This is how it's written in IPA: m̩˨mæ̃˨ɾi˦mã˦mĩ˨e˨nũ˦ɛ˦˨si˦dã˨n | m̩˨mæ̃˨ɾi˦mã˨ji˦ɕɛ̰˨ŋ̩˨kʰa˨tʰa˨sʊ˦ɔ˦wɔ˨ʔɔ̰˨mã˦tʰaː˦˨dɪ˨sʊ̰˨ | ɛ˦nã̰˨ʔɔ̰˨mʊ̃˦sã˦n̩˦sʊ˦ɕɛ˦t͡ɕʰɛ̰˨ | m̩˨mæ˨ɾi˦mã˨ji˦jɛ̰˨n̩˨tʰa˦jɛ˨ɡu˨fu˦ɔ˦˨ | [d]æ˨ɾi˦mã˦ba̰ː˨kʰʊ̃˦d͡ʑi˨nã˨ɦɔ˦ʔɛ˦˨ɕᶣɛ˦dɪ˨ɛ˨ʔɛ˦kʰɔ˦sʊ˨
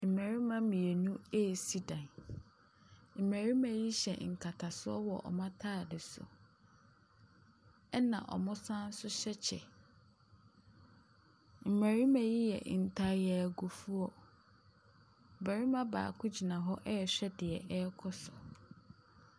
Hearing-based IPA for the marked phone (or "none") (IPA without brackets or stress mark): b